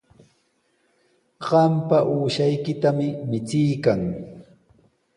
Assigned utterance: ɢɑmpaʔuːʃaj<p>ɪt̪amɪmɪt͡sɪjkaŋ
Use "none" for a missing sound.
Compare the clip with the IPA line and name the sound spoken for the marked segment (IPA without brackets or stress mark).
k